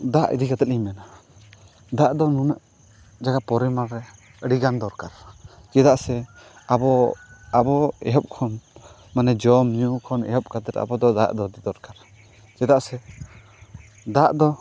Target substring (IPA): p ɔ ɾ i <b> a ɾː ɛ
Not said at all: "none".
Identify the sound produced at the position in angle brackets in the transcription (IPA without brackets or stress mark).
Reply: m